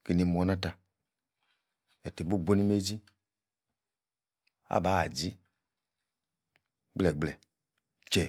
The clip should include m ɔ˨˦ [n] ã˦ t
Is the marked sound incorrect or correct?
correct